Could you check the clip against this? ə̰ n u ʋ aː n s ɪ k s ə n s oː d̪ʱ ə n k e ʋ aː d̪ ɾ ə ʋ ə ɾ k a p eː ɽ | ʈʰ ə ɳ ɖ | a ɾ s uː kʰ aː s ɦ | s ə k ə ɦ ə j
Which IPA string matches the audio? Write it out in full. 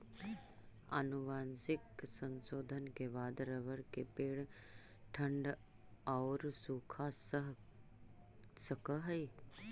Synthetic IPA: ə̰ n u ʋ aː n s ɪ k s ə n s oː d̪ʱ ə n k e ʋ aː d̪ ɾ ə ʋ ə ɾ k e p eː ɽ | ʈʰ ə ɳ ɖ | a ɾ s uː kʰ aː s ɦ | s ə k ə ɦ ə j